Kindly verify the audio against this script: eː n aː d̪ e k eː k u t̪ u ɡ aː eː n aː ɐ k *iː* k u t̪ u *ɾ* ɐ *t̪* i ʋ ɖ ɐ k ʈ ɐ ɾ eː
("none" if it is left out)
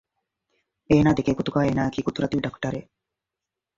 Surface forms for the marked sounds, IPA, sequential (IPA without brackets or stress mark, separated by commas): iː, ɾ, t̪